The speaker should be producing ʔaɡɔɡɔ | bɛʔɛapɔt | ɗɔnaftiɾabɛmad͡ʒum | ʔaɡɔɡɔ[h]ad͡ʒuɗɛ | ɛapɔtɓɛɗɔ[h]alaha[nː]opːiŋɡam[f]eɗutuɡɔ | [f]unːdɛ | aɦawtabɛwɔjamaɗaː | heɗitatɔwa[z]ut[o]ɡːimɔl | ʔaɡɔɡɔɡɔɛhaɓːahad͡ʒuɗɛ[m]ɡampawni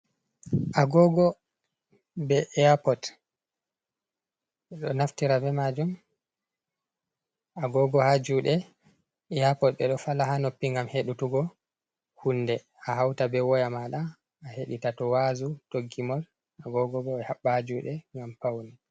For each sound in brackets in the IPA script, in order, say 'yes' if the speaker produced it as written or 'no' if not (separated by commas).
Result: yes, no, no, no, no, yes, yes, no